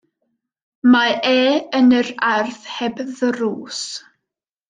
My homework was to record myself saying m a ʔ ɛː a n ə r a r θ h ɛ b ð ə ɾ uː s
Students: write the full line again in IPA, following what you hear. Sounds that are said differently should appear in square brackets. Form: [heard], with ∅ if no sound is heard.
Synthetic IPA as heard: m a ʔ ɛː [ə] n ə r a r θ h ɛ b ð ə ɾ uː s